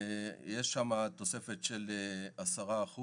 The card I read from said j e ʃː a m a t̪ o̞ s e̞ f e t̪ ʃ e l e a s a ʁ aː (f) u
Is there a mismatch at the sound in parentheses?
yes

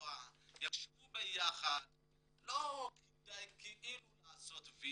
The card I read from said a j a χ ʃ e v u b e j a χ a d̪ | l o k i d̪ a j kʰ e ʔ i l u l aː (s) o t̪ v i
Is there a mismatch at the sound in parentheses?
no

